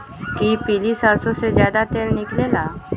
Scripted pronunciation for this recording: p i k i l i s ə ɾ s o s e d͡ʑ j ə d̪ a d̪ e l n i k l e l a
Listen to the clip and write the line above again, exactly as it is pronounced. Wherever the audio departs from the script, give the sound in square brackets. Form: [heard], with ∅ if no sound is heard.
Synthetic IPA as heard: [k] i [p] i l i s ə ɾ s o s e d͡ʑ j [a] d̪ a [t̪] e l n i k l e l a